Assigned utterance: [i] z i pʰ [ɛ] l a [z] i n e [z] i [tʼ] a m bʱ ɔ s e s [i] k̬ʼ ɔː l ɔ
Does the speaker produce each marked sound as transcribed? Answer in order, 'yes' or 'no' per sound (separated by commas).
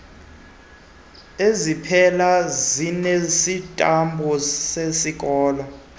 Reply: no, yes, yes, no, yes, yes